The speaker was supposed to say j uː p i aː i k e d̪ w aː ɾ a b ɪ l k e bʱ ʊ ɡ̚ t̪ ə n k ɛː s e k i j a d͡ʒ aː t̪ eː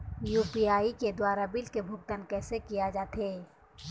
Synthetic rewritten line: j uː p i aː i k e d̪ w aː ɾ a b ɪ l k e bʱ ʊ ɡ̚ t̪ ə n k ɛː s e k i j a d͡ʒ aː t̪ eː